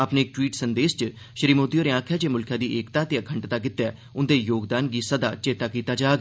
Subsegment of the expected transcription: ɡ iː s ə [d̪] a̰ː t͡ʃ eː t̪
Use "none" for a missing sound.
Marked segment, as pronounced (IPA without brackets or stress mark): d̪